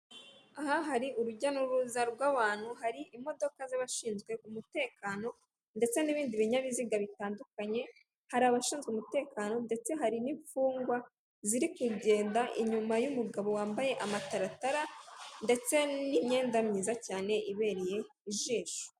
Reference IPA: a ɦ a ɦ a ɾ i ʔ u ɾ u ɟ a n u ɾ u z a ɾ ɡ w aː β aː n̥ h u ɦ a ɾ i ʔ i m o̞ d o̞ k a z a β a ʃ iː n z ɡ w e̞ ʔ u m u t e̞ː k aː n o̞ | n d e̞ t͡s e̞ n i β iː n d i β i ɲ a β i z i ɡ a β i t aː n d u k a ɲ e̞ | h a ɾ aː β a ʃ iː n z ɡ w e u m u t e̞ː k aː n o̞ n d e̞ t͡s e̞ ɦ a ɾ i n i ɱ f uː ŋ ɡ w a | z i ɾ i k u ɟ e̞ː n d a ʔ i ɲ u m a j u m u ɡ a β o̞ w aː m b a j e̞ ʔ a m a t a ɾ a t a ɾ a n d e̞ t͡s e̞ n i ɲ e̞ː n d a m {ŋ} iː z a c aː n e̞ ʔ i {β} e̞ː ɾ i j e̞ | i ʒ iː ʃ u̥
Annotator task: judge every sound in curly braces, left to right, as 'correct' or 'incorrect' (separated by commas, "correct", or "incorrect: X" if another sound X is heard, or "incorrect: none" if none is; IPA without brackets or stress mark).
incorrect: ɲ, correct